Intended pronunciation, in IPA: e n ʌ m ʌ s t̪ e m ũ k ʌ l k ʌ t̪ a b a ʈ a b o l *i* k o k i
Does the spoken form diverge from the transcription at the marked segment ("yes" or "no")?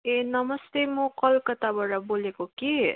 yes